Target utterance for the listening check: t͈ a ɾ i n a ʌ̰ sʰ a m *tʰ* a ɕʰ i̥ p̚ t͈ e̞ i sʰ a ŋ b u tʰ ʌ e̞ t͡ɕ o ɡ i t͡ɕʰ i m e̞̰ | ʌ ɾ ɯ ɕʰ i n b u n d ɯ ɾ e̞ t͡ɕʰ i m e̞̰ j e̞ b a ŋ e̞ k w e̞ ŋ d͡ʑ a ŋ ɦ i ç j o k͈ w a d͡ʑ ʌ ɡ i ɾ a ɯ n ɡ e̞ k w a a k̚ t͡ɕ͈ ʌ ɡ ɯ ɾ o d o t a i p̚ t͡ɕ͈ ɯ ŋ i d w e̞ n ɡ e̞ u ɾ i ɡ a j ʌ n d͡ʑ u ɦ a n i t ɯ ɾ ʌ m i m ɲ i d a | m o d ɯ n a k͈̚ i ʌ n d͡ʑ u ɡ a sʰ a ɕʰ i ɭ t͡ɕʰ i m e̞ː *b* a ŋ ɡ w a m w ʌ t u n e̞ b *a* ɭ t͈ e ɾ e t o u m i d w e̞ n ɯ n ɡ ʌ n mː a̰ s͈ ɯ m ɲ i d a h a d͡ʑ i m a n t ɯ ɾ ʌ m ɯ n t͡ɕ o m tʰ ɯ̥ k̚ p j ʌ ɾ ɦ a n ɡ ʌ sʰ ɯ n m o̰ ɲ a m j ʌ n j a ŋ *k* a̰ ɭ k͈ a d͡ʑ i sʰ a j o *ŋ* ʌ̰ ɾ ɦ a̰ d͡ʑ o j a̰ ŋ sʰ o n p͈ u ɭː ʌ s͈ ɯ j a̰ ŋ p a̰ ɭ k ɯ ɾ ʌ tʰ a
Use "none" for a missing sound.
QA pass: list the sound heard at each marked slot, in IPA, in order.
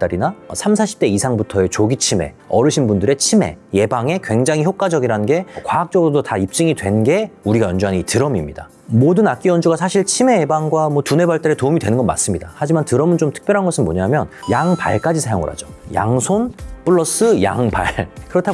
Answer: sʰ, b, a, p, ŋ

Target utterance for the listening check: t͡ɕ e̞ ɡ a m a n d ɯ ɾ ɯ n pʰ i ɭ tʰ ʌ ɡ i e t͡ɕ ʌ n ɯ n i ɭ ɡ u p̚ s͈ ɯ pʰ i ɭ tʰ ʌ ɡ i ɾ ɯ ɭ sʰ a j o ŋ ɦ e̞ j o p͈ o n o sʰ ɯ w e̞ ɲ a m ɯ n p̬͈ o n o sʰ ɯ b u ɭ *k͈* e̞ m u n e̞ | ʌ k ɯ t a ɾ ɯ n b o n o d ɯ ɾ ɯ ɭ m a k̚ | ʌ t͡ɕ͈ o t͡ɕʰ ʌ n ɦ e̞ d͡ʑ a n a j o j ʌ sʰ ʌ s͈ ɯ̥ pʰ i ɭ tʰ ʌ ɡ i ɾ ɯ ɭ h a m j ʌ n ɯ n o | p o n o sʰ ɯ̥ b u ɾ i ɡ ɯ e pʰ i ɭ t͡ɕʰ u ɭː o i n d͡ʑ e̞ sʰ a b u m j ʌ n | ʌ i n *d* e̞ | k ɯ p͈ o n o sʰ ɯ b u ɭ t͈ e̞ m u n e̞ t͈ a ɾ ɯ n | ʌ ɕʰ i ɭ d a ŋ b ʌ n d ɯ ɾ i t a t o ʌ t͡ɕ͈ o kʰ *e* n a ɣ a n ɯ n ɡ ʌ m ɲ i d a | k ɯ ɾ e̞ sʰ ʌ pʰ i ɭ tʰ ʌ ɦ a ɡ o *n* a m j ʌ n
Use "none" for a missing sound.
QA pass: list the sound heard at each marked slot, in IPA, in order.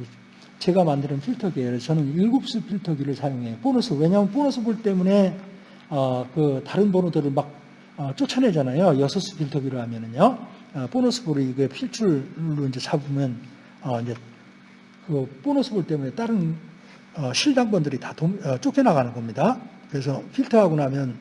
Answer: t͈, d͡ʑ, e, n

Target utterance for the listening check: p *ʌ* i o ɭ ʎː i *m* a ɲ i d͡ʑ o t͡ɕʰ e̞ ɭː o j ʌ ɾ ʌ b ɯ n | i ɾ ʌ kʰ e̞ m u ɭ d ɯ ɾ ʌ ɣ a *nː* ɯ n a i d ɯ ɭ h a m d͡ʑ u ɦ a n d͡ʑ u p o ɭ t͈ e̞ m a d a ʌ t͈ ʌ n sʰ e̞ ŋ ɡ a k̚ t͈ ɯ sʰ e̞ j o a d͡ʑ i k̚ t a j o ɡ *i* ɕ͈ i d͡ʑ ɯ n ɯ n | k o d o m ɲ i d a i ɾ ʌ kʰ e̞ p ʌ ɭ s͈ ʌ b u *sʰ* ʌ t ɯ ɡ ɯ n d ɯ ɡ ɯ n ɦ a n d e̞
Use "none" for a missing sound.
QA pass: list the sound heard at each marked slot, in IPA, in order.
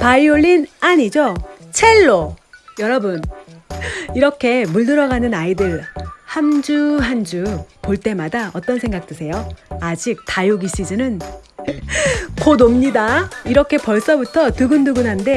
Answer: a, n, n, i, tʰ

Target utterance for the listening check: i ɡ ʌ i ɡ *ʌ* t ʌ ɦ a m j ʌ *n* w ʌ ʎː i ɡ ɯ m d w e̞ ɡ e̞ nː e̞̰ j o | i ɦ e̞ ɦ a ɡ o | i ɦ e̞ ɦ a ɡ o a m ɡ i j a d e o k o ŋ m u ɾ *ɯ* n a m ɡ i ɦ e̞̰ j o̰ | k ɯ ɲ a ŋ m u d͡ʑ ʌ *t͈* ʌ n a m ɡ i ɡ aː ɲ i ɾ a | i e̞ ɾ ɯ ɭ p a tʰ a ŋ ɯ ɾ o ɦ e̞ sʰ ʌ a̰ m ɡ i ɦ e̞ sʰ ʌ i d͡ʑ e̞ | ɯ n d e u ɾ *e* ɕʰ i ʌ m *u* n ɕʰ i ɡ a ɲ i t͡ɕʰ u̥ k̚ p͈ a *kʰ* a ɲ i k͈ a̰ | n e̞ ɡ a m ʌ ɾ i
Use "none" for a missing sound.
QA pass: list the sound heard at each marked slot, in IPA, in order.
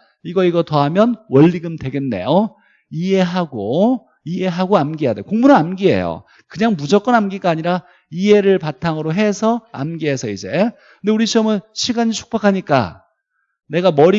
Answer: ʌ, n, ɯ, k͈, i, ɯ, kʰ

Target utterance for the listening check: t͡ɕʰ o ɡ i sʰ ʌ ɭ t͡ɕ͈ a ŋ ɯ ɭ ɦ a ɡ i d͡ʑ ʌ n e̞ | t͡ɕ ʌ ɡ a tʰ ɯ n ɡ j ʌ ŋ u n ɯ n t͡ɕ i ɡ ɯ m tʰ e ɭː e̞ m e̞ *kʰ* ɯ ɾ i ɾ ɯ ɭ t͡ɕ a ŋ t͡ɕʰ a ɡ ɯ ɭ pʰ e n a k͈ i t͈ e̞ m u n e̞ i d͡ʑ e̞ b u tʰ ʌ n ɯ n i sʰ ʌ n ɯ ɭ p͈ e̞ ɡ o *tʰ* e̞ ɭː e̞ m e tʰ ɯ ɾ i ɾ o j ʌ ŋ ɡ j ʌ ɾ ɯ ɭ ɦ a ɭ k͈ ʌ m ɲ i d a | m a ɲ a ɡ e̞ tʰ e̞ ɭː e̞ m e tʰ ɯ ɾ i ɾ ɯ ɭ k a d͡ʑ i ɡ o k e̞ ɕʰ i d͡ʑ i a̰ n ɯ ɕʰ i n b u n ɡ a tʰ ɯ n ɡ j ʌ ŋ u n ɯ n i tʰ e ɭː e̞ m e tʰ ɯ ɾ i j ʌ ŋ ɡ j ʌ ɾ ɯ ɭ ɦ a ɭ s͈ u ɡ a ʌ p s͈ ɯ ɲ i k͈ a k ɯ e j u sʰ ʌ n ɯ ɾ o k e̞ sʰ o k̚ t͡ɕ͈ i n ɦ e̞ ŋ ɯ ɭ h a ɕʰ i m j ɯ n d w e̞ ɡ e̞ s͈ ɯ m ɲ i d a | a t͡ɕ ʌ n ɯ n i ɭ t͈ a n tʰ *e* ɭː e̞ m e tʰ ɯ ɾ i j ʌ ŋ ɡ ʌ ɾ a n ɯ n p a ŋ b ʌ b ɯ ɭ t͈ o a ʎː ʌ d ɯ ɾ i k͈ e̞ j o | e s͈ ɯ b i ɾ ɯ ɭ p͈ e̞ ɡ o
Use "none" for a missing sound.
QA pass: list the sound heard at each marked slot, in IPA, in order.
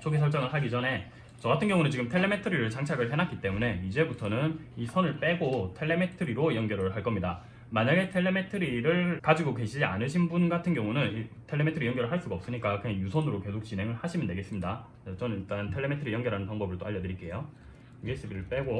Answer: tʰ, tʰ, e

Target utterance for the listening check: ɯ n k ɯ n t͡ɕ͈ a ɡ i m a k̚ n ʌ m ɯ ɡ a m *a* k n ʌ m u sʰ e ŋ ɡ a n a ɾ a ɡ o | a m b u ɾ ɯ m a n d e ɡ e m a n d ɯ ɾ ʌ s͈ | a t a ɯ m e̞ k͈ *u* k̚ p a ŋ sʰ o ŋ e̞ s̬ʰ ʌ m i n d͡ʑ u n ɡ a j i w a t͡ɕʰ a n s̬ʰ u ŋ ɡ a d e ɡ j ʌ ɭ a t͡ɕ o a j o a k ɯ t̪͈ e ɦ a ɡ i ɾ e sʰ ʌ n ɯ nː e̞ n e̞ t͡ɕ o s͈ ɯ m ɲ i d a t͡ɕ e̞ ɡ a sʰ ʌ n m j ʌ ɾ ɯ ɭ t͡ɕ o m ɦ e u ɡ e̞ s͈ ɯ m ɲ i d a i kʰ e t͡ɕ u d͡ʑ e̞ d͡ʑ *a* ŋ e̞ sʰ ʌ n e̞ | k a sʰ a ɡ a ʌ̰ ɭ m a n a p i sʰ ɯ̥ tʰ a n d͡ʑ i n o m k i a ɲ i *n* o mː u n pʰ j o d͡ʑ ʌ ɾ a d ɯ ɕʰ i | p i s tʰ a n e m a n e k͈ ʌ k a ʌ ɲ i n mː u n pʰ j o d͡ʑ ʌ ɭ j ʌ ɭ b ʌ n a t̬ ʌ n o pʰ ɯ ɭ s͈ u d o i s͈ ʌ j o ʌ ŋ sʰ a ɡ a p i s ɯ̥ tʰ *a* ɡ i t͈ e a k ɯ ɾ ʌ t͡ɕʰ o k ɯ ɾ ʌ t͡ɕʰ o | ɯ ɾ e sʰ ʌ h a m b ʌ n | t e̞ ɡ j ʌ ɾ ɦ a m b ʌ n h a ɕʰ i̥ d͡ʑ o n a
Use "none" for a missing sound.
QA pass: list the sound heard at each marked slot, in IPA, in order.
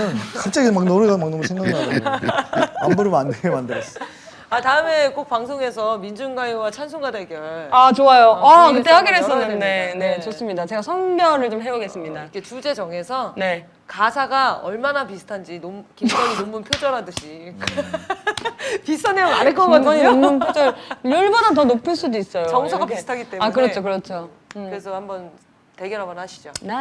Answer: a, o, ʌ, n, a

